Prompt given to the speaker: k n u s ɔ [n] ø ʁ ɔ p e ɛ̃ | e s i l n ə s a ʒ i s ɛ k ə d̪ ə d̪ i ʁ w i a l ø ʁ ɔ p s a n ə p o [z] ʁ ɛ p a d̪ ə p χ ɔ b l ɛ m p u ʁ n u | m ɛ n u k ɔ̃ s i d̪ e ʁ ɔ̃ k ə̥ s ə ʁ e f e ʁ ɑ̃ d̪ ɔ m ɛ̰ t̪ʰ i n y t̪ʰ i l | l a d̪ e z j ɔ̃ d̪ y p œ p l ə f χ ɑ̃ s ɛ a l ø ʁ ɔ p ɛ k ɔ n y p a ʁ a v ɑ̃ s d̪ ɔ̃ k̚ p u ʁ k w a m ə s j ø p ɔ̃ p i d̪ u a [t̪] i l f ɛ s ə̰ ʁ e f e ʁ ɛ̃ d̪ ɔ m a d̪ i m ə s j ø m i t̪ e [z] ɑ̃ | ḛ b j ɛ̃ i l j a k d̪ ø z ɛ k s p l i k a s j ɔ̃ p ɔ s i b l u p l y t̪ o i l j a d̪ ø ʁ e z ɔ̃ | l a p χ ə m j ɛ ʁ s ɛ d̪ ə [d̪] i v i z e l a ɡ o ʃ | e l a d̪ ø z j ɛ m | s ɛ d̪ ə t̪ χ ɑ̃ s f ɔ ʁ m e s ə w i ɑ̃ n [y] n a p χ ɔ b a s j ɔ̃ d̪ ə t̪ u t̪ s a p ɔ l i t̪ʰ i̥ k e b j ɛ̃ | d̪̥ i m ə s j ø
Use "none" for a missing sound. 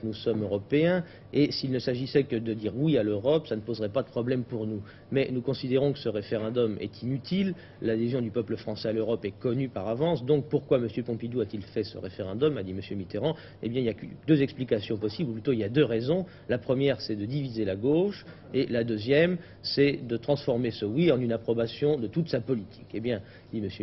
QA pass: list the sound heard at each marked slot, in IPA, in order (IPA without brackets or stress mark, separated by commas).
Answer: m, z, t̪, ʁ, d̪, y